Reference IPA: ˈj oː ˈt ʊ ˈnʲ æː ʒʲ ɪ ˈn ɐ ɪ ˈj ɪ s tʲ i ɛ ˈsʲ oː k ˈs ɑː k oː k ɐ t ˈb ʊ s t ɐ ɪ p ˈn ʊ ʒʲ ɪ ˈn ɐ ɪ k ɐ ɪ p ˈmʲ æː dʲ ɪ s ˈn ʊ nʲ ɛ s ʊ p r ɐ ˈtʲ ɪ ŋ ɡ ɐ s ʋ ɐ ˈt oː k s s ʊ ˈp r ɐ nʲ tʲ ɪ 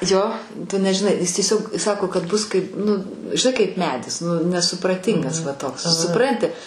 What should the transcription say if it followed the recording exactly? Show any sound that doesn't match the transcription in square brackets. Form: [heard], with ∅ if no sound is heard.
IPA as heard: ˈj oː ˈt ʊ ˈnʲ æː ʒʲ ɪ ˈn ɐ ɪ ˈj ɪ s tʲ i ɛ ˈsʲ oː k ˈs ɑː k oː k ɐ t ˈb ʊ s [k] ɐ ɪ p ˈn ʊ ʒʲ ɪ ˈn ɐ ɪ k ɐ ɪ p ˈmʲ æː dʲ ɪ s ˈn ʊ nʲ ɛ s ʊ p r ɐ ˈtʲ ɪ ŋ ɡ ɐ s ʋ ɐ ˈt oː k s s ʊ ˈp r ɐ nʲ tʲ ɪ